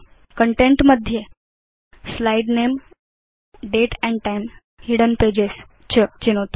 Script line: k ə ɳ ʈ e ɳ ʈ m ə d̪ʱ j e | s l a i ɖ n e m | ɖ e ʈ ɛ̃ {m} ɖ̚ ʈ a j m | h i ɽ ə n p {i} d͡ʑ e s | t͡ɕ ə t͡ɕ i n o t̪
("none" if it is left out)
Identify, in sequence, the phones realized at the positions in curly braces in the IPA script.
ɳ, e

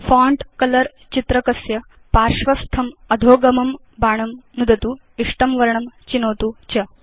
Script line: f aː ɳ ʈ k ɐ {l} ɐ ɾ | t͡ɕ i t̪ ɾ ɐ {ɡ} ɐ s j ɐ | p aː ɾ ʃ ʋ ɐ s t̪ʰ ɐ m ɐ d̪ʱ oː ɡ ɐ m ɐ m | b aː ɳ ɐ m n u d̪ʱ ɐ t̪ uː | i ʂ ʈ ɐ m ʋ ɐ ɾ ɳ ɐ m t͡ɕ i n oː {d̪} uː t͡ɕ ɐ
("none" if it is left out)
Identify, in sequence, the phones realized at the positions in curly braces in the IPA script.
l, k, t̪

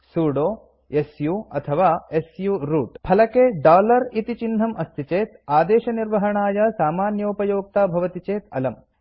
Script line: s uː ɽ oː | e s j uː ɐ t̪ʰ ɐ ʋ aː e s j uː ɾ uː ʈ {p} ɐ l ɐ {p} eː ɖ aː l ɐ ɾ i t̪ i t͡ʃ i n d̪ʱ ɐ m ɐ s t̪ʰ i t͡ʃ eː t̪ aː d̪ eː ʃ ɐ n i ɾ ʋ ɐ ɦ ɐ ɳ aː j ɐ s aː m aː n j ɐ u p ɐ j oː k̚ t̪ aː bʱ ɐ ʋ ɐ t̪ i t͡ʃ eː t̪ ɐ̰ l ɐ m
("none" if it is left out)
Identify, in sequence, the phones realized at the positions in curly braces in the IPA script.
pʰ, k

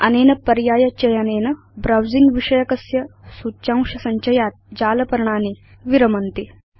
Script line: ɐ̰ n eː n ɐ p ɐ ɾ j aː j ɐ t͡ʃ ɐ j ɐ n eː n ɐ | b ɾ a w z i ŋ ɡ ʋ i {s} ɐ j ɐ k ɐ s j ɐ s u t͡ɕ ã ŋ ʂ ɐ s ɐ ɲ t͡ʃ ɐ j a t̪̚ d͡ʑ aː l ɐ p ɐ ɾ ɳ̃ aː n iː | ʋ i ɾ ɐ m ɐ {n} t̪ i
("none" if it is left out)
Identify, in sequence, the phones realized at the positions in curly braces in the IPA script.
ʂ, n

